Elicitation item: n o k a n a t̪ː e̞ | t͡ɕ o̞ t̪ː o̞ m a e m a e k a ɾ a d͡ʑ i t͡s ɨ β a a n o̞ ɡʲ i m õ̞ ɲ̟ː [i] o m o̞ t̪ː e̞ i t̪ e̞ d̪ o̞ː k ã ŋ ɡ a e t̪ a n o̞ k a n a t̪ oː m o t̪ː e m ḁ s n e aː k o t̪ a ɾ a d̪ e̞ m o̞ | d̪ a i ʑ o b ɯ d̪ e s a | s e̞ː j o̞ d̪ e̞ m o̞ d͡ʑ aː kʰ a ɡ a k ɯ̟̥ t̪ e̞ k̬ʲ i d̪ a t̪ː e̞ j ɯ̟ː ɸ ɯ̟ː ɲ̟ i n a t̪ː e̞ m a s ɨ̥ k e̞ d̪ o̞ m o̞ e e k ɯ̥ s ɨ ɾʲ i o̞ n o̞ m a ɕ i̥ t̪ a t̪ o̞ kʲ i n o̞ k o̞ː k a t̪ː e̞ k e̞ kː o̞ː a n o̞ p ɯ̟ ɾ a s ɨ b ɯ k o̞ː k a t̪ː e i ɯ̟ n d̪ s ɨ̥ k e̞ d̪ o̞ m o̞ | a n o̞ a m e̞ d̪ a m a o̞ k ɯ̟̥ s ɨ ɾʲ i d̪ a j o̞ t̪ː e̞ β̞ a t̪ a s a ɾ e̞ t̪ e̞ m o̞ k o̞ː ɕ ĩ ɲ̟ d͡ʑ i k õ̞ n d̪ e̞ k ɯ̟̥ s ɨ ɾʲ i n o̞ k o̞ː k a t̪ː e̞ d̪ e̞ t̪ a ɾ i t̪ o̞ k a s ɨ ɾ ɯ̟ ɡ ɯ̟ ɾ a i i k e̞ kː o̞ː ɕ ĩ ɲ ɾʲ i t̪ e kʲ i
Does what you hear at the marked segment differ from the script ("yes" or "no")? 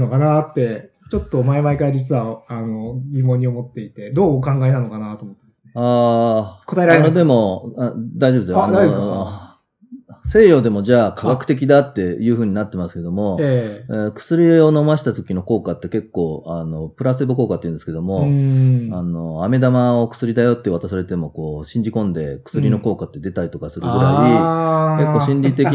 no